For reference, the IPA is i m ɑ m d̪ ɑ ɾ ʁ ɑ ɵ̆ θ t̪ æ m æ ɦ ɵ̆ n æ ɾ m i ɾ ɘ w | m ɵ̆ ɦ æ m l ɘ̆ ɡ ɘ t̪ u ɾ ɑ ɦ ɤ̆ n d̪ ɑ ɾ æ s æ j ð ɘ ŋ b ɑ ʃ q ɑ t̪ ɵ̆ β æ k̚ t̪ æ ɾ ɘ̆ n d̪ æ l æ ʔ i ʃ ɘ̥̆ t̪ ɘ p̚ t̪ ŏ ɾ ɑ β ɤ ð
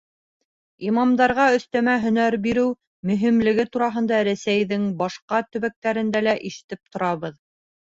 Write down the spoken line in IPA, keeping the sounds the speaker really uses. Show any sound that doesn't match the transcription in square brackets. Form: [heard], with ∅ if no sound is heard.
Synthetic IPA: i m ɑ m d̪ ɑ ɾ ʁ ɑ ɵ̆ θ t̪ æ m æ ɦ ɵ̆ n æ ɾ [b] i ɾ ɘ w | m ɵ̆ ɦ [i] m l ɘ̆ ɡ ɘ t̪ u ɾ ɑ ɦ ɤ̆ n d̪ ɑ ɾ æ s æ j ð ɘ ŋ b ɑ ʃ q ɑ t̪ ɵ̆ β æ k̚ t̪ æ ɾ ɘ̆ n d̪ æ l æ ʔ i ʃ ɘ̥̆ t̪ ɘ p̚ t̪ ŏ ɾ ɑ β ɤ ð